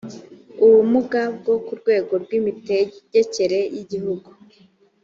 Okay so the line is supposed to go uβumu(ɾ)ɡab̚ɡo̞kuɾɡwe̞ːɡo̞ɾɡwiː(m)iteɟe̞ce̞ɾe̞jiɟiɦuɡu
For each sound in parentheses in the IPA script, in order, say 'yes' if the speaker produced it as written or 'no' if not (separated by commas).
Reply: no, yes